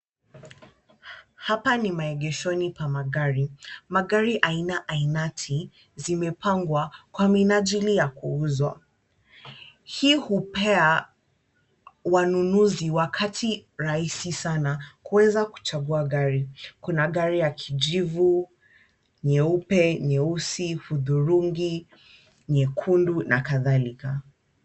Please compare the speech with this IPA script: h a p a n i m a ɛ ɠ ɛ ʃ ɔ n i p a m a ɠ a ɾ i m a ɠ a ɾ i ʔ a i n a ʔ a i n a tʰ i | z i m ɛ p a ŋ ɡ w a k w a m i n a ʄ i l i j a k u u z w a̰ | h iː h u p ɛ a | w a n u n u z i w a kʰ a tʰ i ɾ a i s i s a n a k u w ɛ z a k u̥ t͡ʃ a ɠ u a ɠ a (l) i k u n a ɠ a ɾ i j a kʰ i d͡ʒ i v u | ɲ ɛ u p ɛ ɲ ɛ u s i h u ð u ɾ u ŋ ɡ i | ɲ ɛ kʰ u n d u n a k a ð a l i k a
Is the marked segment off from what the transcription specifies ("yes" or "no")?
yes